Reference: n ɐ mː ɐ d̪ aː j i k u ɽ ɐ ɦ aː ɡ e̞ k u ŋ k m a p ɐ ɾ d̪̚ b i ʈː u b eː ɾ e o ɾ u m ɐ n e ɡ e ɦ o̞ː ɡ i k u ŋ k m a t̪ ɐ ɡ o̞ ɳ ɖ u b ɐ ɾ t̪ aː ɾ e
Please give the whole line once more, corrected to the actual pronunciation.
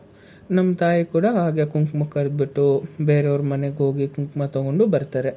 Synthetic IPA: n ɐ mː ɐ t̪ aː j i k uː ɽ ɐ ɦ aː ɡ e̞ k u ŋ k m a k ɐ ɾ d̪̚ b i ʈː u b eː ɾ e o ɾ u m ɐ n e ɡ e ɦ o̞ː ɡ i k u ŋ k m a t̪ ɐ ɡ o̞ ɳ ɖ u b ɐ ɾ t̪ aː ɾ e